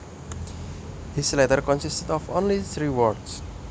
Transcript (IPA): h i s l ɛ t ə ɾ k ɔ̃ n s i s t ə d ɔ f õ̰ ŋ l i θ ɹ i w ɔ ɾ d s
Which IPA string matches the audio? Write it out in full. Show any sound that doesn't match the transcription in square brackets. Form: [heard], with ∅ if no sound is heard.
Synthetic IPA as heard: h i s l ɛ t ə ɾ k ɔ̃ n s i s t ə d ɔ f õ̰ [n] l i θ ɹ i w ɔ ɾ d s